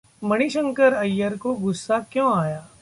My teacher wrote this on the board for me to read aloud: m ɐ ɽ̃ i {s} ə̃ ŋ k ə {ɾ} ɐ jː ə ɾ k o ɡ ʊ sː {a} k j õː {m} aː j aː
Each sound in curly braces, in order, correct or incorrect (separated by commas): incorrect, correct, correct, incorrect